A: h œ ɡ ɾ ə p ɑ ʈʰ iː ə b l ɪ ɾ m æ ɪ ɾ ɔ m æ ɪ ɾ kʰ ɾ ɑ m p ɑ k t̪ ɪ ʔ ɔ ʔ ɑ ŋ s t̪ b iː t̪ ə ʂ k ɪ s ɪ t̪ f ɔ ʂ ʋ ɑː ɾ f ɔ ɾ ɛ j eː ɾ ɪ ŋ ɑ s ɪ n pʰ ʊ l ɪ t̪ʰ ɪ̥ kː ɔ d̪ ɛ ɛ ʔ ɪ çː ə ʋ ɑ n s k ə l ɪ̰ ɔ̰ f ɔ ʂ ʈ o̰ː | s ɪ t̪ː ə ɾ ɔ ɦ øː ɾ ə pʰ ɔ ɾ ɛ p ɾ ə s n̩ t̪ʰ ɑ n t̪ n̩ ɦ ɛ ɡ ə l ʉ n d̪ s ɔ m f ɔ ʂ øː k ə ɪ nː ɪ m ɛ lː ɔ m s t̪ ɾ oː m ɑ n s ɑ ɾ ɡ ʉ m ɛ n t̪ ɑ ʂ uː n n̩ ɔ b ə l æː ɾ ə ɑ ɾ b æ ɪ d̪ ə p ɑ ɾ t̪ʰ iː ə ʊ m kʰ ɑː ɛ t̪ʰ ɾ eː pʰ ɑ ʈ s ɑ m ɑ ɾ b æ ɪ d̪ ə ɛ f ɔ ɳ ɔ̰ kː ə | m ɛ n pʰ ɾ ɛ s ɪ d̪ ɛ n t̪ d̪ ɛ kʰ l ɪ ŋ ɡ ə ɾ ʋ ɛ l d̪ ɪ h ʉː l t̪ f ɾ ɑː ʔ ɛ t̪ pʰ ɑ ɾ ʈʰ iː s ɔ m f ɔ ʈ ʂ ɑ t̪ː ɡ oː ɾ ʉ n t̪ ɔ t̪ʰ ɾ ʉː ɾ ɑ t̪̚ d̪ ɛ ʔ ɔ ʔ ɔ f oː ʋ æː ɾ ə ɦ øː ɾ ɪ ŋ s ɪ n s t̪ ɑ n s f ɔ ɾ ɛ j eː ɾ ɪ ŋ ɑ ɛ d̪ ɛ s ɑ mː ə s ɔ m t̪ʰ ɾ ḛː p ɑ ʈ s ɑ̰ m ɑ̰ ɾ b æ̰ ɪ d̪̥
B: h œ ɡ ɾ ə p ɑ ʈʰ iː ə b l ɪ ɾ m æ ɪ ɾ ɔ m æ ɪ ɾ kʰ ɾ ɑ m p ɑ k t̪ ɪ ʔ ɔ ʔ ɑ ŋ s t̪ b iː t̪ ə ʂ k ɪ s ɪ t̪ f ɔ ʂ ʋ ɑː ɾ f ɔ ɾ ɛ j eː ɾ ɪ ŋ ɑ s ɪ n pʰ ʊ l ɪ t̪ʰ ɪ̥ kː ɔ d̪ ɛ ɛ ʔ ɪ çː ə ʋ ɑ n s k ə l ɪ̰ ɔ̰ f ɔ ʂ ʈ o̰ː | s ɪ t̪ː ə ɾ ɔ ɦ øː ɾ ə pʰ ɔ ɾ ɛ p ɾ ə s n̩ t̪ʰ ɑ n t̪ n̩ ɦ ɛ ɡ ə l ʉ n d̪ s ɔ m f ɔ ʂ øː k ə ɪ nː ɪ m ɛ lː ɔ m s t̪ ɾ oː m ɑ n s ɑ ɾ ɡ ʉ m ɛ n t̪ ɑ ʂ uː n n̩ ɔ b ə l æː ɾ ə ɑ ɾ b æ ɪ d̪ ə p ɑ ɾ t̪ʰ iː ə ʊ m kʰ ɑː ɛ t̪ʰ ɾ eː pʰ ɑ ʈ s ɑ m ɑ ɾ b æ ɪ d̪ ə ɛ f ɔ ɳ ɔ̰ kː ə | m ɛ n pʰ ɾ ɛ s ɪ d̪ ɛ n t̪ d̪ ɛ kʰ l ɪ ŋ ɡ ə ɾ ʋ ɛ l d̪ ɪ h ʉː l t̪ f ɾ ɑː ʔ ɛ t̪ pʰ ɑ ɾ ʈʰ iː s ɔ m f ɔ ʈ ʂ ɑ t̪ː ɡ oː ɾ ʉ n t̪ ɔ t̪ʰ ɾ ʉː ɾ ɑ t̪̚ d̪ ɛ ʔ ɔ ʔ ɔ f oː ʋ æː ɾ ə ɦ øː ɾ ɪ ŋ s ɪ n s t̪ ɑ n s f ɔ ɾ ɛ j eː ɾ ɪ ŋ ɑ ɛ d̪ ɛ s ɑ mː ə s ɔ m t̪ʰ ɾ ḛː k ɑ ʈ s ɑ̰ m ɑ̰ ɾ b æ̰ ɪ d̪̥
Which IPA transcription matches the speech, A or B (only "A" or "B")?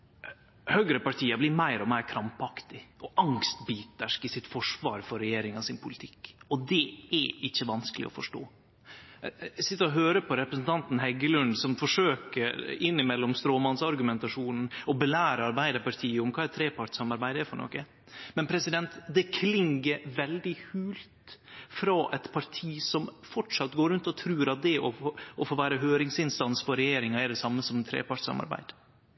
A